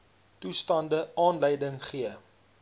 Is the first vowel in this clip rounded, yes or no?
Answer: yes